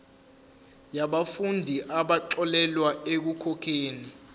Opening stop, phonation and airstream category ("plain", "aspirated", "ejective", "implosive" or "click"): implosive